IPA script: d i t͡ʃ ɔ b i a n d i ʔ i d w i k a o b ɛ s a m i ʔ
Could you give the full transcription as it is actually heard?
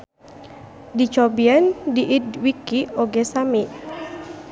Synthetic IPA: d i t͡ʃ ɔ b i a n d i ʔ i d w i k i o ɡ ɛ s a m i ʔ

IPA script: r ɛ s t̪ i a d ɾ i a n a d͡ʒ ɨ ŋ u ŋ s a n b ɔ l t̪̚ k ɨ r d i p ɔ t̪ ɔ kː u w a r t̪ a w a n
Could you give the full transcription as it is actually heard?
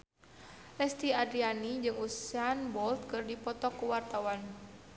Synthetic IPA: l ɛ s t̪ i a d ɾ i a n i d͡ʒ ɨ ŋ u s a n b ɔ l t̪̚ k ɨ r d i p ɔ t̪ ɔ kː u w a r t̪ a w a n

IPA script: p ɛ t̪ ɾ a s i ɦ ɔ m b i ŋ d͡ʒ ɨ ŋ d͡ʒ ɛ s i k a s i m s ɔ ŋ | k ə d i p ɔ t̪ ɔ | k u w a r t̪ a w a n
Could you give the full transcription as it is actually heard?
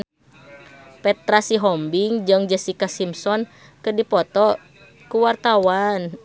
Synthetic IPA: p ɛ t̪ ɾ a s i ɦ ɔ m b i ŋ d͡ʒ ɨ ŋ d͡ʒ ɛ s i k a s i m s ɔ n | k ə d i p ɔ t̪ ɔ | k u w a r t̪ a w a n

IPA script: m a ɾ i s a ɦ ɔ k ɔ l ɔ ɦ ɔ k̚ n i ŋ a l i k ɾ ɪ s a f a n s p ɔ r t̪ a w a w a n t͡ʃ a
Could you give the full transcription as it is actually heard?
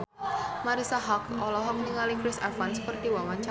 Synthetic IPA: m a ɾ i s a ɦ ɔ k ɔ l ɔ ɦ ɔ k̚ n i ŋ a l i k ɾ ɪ s a f a n s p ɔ r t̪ i w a w a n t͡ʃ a

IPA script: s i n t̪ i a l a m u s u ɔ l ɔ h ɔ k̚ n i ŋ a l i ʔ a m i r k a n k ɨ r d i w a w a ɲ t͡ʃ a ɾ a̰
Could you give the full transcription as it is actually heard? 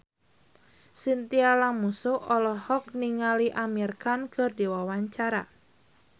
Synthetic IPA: s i n t̪ i a l a m u s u ɔ l ɔ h ɔ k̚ n i ŋ a l i ʔ a m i r k a n k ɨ r d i w a w a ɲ t͡ʃ a ɾ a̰

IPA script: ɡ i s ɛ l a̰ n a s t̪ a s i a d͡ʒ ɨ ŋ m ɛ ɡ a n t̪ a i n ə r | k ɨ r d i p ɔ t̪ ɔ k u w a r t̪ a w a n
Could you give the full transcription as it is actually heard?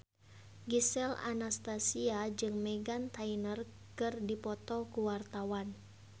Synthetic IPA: ɡ i s ɛ l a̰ n a s t̪ a s i a d͡ʒ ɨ ŋ m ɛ ɡ a n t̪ a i n ə r | k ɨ r d i p ɔ t̪ ɔ k u w a r t̪ a w a n

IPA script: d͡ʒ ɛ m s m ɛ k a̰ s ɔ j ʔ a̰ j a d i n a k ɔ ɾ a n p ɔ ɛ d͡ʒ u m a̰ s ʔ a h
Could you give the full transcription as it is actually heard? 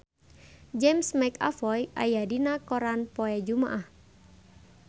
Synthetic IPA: d͡ʒ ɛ m s m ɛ k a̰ f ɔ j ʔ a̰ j a d i n a k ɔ ɾ a n p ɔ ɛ d͡ʒ u m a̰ ʔ a h

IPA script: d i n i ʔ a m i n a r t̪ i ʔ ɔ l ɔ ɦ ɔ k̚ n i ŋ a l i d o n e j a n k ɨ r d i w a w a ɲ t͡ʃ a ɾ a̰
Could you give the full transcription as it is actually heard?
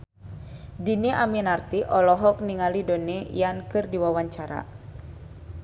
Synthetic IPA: d i n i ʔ a m i n a r t̪ i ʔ ɔ l ɔ ɦ ɔ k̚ n i ŋ a l i d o n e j a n k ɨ r d i w a w a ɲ t͡ʃ a ɾ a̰

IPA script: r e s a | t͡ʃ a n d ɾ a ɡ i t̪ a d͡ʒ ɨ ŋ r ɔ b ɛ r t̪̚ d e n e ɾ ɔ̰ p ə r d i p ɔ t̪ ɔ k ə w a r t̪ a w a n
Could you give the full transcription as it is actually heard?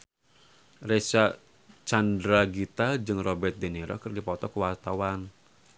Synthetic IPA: r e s a | t͡ʃ a n d ɾ a ɡ i t̪ a d͡ʒ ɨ ŋ r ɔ b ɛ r t̪̚ d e n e ɾ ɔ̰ k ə r d i p ɔ t̪ ɔ k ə w a r t̪ a w a n

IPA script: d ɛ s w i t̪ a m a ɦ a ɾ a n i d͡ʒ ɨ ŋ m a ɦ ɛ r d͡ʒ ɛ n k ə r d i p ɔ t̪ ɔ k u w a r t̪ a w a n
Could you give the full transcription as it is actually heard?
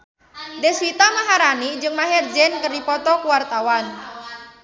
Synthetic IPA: d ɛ s w i t̪ a m a ɦ a ɾ a n i d͡ʒ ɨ ŋ m a ɦ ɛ r d͡ʒ ɛ n k ə r d i p ɔ t̪ ɔ k u w a r t̪ a w a n

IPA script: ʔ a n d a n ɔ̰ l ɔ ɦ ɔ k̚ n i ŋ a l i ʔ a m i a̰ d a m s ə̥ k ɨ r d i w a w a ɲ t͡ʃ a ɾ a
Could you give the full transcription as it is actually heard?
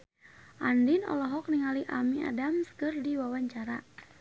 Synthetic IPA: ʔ a n d i n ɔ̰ l ɔ ɦ ɔ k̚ n i ŋ a l i ʔ a m i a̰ d a m s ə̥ k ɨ r d i w a w a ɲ t͡ʃ a ɾ a

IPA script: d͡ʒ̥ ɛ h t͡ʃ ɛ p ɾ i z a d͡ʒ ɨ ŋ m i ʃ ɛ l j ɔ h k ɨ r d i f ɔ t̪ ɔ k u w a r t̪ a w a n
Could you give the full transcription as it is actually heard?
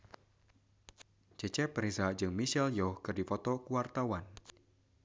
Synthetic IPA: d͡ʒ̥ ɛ t͡ʃ ɛ p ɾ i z a d͡ʒ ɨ ŋ m i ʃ ɛ l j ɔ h k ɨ r d i f ɔ t̪ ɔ k u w a r t̪ a w a n

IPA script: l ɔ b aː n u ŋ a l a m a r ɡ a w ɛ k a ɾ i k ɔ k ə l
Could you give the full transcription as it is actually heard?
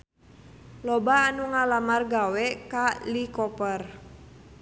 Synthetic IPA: l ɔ b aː n u ŋ a l a m a r ɡ a w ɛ k a l i k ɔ p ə r

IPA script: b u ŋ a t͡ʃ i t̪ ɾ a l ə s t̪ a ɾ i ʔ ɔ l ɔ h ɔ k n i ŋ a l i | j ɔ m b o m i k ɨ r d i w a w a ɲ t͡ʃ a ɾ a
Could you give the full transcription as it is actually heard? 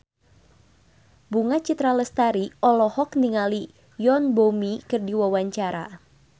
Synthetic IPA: b u ŋ a t͡ʃ i t̪ ɾ a l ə s t̪ a ɾ i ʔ ɔ l ɔ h ɔ k n i ŋ a l i | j ɔ n b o m i k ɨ r d i w a w a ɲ t͡ʃ a ɾ a

